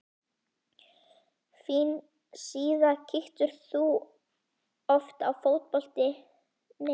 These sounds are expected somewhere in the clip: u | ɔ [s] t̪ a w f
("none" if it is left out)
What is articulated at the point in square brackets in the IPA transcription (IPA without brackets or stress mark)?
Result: f